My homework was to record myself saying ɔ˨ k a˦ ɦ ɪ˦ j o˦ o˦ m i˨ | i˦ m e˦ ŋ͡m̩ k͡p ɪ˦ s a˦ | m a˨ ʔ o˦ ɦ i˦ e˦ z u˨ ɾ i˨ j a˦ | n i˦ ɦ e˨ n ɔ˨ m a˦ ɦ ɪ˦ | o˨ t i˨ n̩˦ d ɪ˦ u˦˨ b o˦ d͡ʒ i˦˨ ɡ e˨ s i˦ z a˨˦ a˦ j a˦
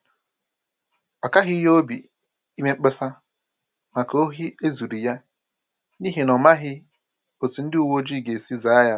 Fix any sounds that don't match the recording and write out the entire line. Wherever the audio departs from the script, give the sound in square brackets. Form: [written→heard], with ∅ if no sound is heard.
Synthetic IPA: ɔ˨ k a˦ ɦ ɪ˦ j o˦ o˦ [m→b] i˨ | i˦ m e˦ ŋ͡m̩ k͡p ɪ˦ s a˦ | m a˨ [ʔ→k] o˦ ɦ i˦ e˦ z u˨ ɾ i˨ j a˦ | n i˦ ɦ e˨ n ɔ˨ m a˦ ɦ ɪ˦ | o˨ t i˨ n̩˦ d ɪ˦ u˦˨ [b→w] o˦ d͡ʒ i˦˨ ɡ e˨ s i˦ z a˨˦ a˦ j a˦